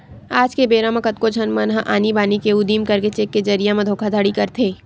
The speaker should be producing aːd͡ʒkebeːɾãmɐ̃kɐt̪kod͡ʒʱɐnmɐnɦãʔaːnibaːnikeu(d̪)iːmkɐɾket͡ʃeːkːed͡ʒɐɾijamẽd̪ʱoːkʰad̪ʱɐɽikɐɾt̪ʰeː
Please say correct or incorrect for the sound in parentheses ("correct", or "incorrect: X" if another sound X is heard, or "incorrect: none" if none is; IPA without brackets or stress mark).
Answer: correct